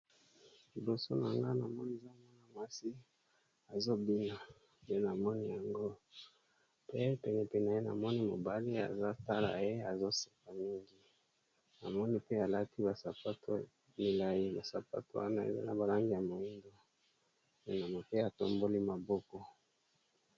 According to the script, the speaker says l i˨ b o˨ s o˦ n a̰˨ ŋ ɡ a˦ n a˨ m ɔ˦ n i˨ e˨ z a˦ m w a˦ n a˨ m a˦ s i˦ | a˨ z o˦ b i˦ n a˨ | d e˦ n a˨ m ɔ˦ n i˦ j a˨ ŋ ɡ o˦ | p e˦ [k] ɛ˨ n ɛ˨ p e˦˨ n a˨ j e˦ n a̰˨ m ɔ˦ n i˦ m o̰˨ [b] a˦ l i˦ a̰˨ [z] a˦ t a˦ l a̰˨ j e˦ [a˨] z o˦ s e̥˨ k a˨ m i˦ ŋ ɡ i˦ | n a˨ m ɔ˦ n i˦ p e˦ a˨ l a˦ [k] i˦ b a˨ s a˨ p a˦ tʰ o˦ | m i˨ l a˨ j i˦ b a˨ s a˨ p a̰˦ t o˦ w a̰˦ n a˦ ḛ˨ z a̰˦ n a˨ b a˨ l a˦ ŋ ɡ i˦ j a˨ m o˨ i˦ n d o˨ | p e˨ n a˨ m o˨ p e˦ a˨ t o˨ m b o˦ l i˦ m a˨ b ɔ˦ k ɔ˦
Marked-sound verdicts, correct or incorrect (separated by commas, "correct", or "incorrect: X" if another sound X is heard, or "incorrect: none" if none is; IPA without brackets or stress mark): incorrect: p, correct, correct, correct, incorrect: t